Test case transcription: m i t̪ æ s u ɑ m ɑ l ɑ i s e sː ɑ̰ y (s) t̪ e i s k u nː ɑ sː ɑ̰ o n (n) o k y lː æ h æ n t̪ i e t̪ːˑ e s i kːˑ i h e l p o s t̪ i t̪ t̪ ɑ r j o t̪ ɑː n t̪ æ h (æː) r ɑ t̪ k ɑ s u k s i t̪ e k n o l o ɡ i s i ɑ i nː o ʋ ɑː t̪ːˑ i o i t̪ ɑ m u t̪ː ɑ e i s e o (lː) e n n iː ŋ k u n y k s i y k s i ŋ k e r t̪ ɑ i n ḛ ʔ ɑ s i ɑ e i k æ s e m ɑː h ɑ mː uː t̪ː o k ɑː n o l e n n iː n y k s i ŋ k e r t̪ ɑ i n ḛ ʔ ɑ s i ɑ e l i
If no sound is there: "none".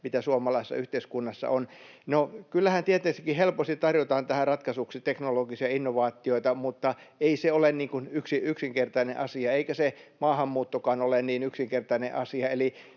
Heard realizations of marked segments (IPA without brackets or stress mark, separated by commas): h, n, æ, l